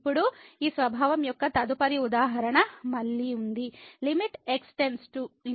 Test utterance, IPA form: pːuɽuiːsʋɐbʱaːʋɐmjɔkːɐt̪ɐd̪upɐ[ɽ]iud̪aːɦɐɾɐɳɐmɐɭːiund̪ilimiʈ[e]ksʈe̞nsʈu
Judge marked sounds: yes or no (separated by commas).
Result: no, yes